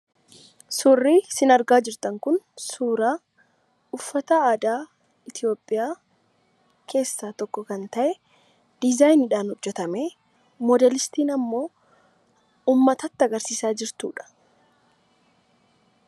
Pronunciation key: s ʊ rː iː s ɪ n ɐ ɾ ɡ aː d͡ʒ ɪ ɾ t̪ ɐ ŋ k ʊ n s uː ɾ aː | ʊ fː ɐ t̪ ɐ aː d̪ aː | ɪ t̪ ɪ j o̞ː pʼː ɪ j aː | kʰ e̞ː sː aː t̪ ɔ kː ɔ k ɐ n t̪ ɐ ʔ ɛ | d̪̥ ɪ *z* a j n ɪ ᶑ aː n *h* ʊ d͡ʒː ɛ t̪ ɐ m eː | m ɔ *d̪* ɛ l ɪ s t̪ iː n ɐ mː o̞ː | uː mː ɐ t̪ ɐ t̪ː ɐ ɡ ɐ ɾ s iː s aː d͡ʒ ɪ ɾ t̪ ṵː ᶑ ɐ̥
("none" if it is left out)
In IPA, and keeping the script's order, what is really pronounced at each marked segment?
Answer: z, h, d̪

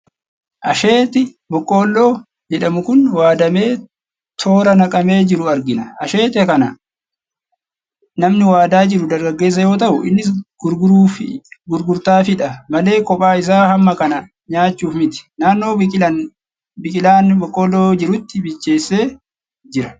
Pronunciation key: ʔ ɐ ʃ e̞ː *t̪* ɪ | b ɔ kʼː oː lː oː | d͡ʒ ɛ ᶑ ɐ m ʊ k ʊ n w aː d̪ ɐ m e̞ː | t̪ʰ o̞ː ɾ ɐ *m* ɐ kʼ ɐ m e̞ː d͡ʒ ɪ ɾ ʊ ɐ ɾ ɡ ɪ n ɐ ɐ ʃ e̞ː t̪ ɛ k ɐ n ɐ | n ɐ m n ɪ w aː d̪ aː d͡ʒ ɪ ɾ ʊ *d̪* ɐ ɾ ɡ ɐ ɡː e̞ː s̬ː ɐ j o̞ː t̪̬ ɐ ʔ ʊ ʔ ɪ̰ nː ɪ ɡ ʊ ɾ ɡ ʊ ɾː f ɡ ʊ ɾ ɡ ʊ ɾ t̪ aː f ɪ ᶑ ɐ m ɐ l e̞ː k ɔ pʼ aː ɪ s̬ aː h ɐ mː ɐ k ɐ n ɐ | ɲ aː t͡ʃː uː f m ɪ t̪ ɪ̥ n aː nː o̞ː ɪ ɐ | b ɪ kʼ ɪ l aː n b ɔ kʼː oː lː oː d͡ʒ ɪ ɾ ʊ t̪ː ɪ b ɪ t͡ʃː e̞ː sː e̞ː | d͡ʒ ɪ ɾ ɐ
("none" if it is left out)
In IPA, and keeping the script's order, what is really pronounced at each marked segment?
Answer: t̪, n, d̪

